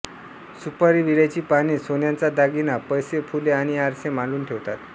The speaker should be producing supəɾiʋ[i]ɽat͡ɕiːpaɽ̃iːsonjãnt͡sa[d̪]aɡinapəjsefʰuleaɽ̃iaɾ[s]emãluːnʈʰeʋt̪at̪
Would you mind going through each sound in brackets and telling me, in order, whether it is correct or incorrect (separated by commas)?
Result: correct, correct, correct